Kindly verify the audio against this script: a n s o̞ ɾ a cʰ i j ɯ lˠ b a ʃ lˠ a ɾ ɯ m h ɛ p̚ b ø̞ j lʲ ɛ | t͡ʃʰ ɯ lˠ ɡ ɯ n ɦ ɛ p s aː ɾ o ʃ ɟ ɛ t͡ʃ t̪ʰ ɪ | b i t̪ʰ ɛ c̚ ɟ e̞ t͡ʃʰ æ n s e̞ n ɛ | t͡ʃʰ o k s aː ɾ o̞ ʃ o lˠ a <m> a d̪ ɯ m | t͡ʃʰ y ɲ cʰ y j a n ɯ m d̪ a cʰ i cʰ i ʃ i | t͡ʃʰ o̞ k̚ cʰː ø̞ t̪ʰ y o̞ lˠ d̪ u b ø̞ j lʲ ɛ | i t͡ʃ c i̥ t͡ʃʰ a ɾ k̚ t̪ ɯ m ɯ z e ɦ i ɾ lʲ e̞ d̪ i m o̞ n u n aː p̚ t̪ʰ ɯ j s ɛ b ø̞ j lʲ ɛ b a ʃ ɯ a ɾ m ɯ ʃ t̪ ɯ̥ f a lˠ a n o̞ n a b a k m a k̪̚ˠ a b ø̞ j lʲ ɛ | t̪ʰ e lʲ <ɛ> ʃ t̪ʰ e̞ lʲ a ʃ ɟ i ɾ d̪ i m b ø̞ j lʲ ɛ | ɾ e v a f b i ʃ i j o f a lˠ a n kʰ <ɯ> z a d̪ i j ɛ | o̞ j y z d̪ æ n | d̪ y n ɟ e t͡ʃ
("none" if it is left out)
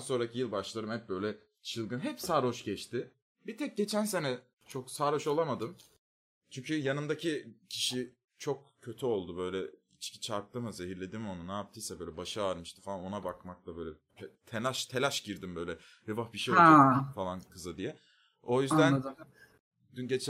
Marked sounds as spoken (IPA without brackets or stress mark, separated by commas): m, a, ɯ